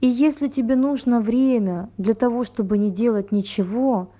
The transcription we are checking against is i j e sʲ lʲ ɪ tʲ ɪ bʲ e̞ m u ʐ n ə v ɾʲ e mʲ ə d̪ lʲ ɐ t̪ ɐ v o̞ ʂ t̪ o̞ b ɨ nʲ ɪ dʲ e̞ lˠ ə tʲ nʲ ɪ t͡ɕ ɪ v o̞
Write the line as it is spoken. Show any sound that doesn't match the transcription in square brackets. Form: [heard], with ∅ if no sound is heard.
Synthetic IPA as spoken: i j e sʲ lʲ ɪ tʲ ɪ bʲ e̞ [n] u ʐ n ə v ɾʲ e mʲ ə d̪ lʲ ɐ t̪ ɐ v o̞ ʂ t̪ o̞ b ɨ nʲ ɪ dʲ e̞ lˠ ə tʲ nʲ ɪ t͡ɕ ɪ v o̞